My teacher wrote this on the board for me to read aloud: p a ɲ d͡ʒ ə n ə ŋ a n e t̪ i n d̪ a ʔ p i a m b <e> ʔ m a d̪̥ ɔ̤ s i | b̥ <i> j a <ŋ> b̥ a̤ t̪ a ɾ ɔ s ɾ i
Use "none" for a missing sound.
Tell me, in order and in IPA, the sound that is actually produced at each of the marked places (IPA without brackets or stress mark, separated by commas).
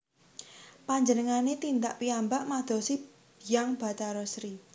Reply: a, i, ŋ